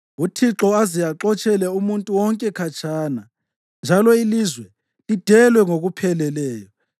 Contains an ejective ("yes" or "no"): yes